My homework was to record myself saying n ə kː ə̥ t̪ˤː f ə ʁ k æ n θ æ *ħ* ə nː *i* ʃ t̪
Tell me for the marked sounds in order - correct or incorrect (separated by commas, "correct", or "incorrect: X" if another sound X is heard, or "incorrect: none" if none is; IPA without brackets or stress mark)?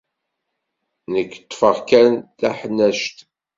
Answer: correct, incorrect: æ